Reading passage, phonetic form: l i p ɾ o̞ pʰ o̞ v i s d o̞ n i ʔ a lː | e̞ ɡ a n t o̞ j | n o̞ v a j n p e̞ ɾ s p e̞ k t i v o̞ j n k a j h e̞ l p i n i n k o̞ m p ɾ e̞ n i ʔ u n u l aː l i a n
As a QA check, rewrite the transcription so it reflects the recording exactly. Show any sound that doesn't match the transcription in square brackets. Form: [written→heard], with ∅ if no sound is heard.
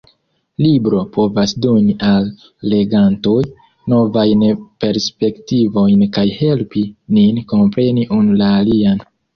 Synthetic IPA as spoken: l i [p→b] ɾ o̞ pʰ o̞ v [i→a] s d o̞ n i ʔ a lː | e̞ ɡ a n t o̞ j | n o̞ v a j n p e̞ ɾ s p e̞ k t i v o̞ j n k a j h e̞ l p i n i n k o̞ m p ɾ e̞ n i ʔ u n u l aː l i a n